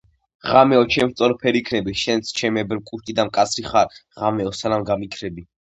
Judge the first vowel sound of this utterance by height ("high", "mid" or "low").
low